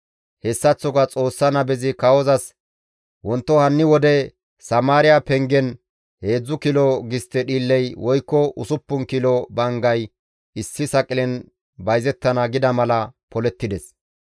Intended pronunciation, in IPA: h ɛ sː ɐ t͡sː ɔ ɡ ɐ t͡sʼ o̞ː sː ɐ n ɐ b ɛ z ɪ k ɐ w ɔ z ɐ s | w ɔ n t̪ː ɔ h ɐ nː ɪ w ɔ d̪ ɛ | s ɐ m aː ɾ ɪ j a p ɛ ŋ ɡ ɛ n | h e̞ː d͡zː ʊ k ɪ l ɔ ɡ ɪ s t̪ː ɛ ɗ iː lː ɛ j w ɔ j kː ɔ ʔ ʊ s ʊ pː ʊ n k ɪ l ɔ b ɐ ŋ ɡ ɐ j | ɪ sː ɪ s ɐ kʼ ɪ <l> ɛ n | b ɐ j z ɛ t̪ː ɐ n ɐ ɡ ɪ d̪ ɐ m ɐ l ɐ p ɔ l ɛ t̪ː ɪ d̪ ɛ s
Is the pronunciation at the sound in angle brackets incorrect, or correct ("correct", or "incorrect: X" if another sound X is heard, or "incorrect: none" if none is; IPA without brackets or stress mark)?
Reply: correct